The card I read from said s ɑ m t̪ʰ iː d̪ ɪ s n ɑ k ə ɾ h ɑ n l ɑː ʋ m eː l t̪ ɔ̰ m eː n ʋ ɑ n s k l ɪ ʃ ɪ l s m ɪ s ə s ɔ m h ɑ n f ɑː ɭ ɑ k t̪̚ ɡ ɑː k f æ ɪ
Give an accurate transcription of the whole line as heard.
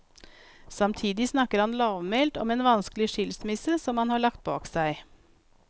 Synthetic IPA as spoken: s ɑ m t̪ʰ iː d̪ ɪ s n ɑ k ə ɾ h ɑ n l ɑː ʋ m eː l t̪ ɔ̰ m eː n ʋ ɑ n s k l ɪ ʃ ɪ l s m ɪ s ə s ɔ m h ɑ n h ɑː ɭ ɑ k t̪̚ b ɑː k s æ ɪ